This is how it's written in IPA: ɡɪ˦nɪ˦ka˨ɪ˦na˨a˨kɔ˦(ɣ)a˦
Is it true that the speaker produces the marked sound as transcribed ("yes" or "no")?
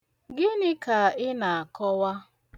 no